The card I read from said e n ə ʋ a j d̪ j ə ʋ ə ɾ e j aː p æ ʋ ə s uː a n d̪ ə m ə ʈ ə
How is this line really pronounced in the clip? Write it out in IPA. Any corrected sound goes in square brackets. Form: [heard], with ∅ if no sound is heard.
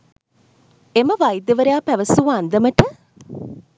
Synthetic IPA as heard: e [m] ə ʋ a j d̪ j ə ʋ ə ɾ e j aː p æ ʋ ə s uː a n d̪ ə m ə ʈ ə